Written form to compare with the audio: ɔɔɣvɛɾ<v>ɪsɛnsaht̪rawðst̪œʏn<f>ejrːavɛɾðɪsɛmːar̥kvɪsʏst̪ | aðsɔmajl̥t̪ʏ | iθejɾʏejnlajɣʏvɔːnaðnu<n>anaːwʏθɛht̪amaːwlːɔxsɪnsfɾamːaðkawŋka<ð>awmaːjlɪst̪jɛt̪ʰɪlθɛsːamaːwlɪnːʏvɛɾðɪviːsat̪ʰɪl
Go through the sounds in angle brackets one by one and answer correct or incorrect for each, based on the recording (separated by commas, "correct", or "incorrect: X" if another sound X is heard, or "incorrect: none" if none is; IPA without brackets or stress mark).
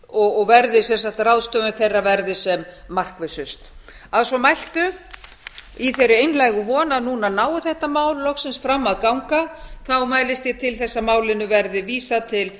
incorrect: ð, incorrect: θ, correct, incorrect: θ